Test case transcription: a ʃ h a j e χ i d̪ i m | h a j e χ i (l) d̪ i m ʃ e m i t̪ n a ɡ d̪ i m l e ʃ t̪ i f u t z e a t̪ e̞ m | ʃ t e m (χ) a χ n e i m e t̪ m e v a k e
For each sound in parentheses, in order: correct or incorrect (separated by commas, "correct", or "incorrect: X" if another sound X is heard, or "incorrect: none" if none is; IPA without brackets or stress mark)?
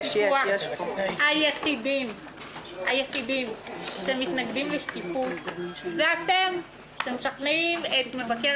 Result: incorrect: none, incorrect: ʃ